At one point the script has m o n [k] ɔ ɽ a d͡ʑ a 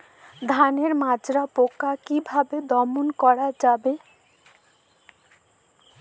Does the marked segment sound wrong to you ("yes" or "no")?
no